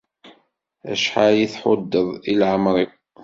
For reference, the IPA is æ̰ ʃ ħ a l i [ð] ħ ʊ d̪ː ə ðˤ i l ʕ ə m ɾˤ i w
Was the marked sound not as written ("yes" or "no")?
yes